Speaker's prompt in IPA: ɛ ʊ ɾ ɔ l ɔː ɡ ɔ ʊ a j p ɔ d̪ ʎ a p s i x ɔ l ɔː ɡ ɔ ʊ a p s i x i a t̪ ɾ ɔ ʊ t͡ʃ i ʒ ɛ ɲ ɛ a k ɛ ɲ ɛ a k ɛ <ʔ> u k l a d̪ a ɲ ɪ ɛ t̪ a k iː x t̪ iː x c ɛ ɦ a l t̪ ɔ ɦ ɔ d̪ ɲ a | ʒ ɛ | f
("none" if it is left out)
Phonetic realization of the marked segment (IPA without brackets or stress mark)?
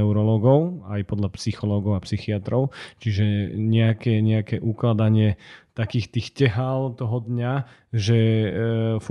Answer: ʔ